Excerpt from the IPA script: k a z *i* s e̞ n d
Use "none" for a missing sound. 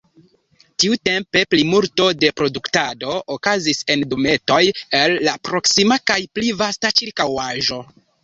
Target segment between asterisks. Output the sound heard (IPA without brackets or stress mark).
i